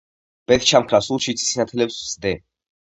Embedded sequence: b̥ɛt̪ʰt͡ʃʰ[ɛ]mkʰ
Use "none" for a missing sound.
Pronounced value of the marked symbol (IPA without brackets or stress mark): a